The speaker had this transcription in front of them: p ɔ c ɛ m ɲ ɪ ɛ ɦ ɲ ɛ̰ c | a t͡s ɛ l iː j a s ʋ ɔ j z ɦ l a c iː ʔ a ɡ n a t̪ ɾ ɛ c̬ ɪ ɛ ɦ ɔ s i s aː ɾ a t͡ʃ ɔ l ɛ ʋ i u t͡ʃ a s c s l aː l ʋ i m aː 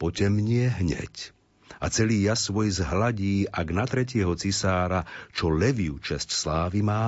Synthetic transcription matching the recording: p ɔ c ɛ m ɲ ɪ ɛ ɦ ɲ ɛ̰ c | a t͡s ɛ l iː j a s ʋ ɔ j z ɦ l a ɟ iː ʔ a ɡ n a t̪ ɾ ɛ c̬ ɪ ɛ ɦ ɔ t͡s i s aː ɾ a t͡ʃ ɔ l ɛ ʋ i u t͡ʃ ɛ s c s l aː ʋ i m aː